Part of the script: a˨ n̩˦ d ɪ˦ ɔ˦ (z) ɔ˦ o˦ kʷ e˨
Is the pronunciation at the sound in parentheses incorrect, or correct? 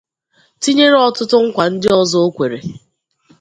correct